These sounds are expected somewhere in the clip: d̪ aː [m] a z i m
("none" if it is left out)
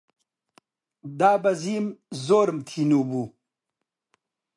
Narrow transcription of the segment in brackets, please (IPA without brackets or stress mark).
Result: b